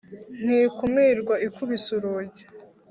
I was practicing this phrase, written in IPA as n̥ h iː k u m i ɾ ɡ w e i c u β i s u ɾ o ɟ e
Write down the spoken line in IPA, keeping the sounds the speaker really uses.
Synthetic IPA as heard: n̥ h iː k u m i ɾ ɡ w a i k u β i s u ɾ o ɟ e